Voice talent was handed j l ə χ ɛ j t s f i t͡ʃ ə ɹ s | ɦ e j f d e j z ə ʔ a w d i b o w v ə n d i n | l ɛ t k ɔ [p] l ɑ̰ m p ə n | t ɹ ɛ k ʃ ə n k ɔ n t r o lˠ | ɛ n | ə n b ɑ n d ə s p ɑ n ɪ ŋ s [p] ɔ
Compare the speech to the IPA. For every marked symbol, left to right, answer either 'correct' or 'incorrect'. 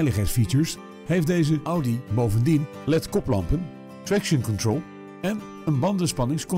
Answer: correct, incorrect: k

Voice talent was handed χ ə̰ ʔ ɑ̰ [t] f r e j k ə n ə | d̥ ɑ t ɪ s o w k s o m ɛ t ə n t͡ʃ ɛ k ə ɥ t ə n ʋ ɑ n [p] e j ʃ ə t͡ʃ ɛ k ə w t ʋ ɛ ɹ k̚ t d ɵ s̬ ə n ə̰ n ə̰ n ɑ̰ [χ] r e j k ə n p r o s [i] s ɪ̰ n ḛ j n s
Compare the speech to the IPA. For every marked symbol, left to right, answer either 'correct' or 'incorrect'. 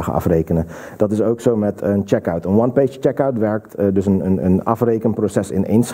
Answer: incorrect: none, correct, incorrect: f, incorrect: ɛ

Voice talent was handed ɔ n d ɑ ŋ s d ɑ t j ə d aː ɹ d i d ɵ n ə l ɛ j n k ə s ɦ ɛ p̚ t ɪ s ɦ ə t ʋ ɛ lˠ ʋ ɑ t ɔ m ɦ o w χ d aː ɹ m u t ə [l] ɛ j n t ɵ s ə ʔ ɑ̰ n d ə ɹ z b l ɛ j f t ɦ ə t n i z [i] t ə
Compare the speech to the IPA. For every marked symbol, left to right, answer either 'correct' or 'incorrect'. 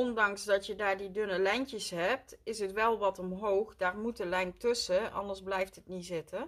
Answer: correct, incorrect: ɪ

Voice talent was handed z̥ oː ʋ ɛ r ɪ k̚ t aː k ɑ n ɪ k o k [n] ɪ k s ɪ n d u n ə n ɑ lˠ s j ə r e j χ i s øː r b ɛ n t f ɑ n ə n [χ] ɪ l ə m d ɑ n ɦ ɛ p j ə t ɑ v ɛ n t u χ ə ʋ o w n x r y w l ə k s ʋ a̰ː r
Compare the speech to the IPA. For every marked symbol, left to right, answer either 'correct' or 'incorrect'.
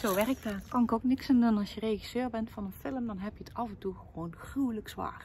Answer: correct, incorrect: f

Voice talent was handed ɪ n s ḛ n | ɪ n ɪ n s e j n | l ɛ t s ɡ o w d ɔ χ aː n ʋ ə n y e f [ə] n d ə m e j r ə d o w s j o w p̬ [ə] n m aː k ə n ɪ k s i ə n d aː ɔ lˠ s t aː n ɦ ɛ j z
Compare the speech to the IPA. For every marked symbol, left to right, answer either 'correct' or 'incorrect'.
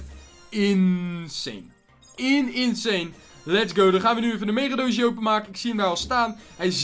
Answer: correct, correct

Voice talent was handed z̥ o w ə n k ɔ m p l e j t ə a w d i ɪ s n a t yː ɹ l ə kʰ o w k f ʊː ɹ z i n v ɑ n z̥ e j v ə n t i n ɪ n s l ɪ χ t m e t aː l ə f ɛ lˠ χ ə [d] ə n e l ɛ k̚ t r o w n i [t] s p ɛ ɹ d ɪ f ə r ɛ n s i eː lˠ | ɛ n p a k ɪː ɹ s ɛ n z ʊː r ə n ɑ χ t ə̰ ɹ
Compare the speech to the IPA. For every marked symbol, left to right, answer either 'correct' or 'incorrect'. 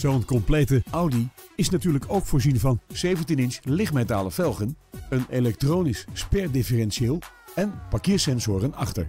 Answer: incorrect: n, incorrect: s

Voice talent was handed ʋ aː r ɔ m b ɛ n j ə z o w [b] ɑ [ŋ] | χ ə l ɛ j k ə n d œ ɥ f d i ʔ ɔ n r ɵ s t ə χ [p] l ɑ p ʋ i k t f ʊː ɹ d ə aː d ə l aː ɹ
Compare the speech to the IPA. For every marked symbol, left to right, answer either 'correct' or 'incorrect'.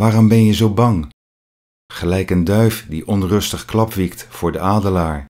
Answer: correct, correct, incorrect: k

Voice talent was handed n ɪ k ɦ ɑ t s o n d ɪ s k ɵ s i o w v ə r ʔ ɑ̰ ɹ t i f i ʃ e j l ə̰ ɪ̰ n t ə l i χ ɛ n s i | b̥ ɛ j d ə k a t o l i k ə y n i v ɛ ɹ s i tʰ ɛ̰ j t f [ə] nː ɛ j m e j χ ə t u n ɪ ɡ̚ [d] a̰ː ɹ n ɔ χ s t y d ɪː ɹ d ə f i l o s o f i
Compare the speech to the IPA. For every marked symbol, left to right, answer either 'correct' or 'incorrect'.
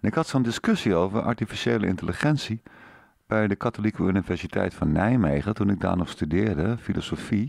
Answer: incorrect: ɑ, correct

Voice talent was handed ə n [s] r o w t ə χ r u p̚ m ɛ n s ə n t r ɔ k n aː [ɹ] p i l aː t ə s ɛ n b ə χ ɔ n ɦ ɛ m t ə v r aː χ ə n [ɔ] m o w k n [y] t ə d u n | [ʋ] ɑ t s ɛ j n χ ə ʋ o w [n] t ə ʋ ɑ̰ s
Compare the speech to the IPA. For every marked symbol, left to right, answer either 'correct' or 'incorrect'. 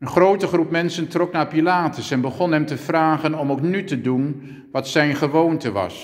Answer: incorrect: χ, correct, correct, correct, correct, correct

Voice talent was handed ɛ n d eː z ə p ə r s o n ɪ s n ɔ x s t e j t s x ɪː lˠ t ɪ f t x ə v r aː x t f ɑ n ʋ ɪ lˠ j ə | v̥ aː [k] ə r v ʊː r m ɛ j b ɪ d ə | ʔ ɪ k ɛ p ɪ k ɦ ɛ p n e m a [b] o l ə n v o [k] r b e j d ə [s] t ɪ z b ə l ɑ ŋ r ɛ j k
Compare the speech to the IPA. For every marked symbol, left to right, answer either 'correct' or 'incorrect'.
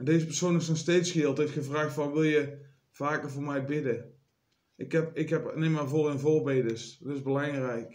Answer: correct, incorrect: v, incorrect: none, correct

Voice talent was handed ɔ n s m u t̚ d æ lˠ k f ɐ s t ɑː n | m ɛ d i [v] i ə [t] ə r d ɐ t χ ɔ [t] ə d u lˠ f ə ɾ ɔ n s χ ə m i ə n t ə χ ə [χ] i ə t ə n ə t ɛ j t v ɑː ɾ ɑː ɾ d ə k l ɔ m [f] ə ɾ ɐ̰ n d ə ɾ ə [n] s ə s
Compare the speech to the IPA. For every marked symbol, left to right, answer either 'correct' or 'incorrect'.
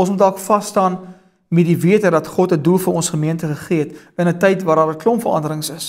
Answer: correct, correct, correct, correct, correct, incorrect: ŋ

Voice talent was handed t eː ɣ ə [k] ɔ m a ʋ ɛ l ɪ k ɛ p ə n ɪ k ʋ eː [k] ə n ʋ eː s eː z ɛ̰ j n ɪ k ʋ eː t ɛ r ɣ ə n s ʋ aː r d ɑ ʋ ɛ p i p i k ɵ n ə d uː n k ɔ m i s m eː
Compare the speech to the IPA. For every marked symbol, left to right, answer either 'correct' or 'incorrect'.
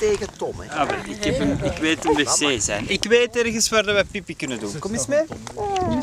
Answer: incorrect: t, incorrect: t

